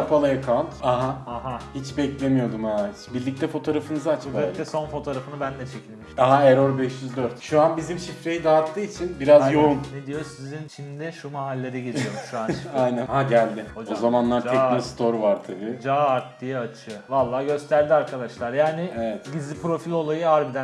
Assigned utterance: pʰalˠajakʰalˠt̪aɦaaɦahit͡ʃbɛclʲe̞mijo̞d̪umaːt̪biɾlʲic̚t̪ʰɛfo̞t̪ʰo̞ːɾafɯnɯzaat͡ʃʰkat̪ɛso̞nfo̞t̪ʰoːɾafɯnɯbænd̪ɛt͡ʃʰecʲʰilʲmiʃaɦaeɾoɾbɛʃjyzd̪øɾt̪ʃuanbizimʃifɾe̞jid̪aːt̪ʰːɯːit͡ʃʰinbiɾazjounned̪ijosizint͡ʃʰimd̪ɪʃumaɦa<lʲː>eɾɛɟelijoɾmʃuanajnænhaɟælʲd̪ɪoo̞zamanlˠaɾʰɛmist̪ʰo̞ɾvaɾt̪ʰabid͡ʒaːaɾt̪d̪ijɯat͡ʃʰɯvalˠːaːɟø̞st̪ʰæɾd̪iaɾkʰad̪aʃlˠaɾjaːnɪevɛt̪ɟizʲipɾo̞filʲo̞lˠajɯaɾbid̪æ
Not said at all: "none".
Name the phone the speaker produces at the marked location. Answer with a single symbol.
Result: lʲː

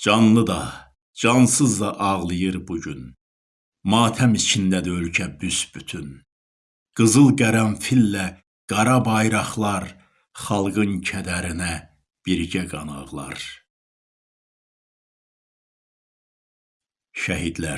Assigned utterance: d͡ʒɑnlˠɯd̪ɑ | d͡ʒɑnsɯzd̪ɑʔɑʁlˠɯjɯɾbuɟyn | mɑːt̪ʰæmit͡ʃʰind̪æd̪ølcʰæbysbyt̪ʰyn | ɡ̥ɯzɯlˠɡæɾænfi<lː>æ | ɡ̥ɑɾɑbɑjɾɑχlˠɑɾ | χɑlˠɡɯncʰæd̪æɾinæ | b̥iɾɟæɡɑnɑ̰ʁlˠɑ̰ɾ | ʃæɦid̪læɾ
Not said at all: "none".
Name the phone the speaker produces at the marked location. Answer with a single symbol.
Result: lː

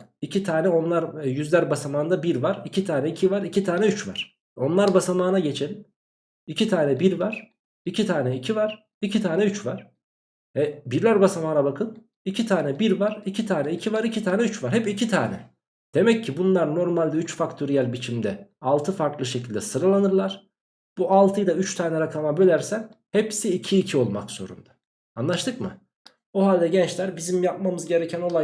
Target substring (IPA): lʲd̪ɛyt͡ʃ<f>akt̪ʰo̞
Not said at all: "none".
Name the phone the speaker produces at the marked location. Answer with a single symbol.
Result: f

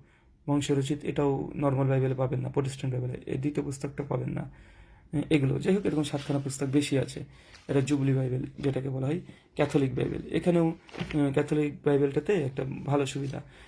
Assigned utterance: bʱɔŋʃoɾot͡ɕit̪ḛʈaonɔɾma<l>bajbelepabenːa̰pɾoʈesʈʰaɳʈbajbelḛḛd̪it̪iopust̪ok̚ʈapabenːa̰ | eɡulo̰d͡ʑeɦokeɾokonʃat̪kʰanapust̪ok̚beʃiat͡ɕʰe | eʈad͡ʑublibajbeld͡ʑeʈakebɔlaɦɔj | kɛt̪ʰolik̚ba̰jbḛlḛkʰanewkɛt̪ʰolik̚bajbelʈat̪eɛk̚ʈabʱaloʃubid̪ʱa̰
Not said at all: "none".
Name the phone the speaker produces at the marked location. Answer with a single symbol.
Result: l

